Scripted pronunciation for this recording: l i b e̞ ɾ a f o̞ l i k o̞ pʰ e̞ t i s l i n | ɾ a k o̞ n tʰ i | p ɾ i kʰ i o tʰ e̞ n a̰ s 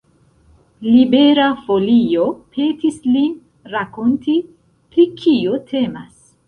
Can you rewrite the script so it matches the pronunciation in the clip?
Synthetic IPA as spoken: l i b e̞ ɾ a f o̞ l i o̞ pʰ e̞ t i s l i n | ɾ a k o̞ n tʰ i | p ɾ i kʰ i o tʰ e̞ m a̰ s